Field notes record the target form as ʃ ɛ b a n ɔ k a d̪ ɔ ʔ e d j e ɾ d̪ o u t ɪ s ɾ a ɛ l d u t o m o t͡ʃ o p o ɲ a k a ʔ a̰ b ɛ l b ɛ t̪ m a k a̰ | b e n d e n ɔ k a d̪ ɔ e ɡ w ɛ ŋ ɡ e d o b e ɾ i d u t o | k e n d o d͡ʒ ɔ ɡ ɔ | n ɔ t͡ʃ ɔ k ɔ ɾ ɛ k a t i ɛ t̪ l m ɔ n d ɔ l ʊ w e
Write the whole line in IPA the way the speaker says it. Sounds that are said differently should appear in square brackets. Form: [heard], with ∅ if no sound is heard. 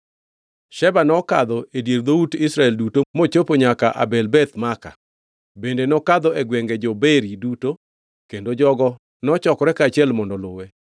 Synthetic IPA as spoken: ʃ ɛ b a n ɔ k a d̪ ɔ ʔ e d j e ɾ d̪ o u t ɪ s ɾ a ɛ l d u t o m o t͡ʃ o p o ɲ a k a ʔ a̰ b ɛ l b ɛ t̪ m a k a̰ | b e n d e n ɔ k a d̪ ɔ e ɡ w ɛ ŋ ɡ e [d͡ʒ] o b e ɾ i d u t o | k e n d o d͡ʒ ɔ ɡ ɔ | n ɔ t͡ʃ ɔ k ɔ ɾ ɛ k a [t͡ʃ] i ɛ [∅] l m ɔ n d ɔ l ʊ w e